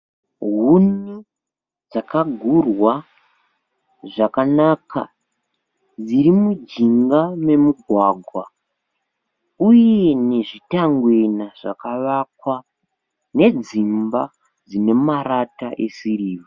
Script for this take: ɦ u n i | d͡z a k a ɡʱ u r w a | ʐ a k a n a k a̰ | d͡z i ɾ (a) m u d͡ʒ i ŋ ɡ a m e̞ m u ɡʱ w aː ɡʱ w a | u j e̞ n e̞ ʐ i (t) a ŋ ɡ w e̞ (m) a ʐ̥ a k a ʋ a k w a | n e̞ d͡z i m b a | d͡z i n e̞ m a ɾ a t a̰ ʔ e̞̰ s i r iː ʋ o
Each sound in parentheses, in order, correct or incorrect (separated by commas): incorrect, correct, incorrect